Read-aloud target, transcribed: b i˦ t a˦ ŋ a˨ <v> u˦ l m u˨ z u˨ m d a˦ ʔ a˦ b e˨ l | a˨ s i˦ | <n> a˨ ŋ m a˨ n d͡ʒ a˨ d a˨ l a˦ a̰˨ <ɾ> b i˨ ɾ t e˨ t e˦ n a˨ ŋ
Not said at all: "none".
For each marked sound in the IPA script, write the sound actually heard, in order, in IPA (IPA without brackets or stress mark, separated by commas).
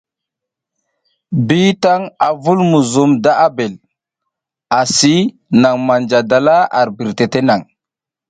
v, n, ɾ